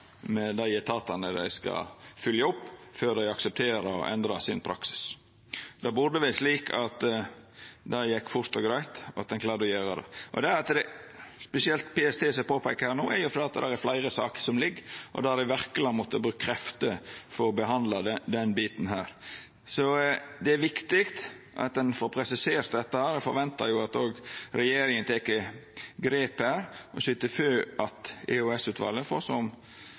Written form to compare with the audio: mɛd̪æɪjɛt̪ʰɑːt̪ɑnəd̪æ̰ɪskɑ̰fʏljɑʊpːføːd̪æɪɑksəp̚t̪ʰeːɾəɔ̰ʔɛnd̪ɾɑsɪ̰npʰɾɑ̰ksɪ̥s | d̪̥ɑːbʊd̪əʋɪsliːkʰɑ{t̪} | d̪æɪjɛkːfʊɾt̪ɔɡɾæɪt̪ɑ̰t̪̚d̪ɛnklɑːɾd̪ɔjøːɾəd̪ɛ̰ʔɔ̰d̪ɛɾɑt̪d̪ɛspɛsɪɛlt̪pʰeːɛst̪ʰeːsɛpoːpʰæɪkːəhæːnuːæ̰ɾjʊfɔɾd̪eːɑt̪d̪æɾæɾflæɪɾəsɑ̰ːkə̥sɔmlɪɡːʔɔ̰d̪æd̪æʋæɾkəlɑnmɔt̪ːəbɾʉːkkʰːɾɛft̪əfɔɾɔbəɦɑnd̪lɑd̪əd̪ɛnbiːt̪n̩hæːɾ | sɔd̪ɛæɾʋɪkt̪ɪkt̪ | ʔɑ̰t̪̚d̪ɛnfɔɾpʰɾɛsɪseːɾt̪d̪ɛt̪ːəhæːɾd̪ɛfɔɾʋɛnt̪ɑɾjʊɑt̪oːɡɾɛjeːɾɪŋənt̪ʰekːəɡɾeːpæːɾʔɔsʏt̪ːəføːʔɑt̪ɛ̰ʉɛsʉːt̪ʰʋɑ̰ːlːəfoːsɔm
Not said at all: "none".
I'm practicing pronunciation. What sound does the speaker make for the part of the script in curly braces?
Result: t̪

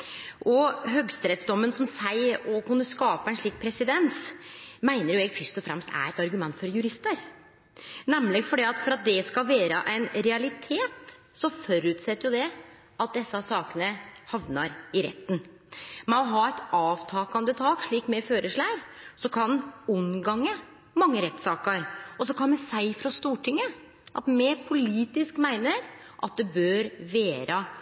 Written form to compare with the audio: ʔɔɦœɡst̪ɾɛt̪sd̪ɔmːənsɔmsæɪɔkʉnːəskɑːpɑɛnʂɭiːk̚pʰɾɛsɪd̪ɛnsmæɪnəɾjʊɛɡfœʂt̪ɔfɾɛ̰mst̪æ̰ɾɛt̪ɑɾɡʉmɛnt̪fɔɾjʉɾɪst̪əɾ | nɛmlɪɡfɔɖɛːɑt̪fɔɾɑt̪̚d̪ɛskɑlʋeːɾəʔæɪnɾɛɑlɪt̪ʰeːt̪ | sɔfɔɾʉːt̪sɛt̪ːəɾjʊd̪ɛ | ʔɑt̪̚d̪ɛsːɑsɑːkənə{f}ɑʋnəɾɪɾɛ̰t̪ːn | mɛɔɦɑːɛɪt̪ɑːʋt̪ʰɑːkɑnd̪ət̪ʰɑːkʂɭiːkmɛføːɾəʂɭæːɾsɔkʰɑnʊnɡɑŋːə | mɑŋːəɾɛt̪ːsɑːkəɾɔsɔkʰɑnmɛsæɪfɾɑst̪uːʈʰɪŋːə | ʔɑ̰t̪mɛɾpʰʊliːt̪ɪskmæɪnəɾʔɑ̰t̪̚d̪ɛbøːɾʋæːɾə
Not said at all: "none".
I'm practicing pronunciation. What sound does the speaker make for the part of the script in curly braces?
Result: h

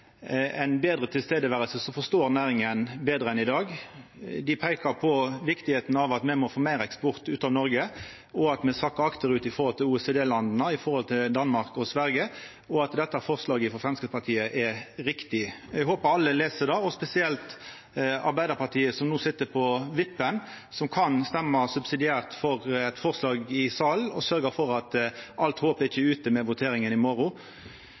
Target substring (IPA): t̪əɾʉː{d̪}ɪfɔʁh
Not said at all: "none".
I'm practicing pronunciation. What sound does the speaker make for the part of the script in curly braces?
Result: t̪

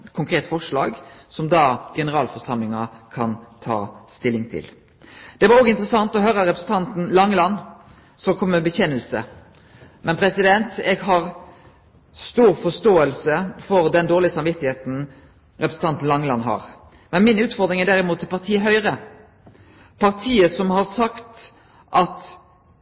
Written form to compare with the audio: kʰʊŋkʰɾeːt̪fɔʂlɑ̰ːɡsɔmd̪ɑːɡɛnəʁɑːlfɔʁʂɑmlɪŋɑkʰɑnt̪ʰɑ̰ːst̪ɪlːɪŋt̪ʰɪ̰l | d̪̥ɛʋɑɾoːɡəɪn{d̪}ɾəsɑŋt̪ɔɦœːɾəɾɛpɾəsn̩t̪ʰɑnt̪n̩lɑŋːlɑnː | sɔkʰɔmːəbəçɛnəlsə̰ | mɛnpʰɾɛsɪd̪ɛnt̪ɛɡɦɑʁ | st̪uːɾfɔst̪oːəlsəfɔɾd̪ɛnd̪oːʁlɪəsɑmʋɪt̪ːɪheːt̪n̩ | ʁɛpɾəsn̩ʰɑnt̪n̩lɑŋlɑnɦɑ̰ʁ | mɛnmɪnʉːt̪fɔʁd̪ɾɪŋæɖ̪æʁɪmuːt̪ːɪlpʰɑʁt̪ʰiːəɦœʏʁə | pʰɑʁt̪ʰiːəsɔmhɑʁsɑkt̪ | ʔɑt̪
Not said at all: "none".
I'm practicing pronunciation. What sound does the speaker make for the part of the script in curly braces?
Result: t̪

